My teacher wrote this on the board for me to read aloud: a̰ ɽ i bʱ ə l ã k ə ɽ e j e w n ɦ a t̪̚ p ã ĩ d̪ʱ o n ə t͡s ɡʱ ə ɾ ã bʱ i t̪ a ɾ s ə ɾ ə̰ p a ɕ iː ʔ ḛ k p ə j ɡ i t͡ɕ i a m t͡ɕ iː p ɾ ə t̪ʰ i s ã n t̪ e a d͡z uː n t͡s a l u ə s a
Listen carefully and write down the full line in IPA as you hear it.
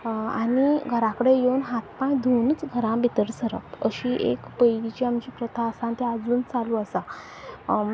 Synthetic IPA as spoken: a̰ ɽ i ɡʱ ə ɾ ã k ə ɽ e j e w n ɦ a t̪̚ p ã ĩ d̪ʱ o n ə t͡s ɡʱ ə ɾ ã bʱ i t̪ ə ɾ s ə ɾ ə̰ p ə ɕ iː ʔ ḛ k p ə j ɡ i t͡ɕ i a m t͡ɕ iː p ɾ ə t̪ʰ a s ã n t̪ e a d͡z uː n t͡s a l u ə s a